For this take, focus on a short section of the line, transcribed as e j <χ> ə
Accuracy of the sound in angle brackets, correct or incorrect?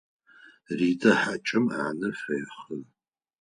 correct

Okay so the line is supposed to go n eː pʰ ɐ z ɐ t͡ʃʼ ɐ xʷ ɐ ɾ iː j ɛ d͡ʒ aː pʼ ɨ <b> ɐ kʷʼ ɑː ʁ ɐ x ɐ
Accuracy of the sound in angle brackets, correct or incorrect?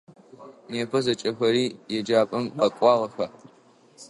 incorrect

